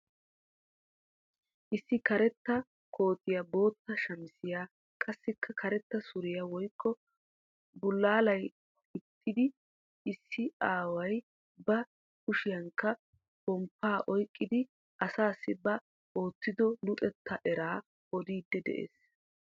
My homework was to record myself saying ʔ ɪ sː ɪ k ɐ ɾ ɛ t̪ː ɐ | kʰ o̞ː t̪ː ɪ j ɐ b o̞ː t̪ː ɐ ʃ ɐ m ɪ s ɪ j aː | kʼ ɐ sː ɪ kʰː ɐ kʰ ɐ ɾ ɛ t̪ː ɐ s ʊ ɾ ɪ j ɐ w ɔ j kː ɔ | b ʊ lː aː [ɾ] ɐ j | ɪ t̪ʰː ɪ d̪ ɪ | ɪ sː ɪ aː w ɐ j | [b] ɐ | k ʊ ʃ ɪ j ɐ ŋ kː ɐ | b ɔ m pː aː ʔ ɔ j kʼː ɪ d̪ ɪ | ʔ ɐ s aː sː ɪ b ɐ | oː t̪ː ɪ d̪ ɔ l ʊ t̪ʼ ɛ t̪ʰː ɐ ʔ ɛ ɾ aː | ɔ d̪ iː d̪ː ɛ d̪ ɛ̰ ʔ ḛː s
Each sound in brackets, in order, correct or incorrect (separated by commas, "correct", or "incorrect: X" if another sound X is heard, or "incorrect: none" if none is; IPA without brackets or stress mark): incorrect: l, correct